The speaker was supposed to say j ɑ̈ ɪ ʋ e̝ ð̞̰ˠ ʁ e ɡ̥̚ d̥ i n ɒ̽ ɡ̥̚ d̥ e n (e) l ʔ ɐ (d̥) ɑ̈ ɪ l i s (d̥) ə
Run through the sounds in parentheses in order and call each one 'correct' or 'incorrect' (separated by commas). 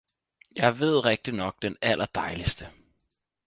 incorrect, correct, correct